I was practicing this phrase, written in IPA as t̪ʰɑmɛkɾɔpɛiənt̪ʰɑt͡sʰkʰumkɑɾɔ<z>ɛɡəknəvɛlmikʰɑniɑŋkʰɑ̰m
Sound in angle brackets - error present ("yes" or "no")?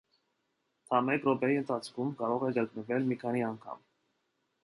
yes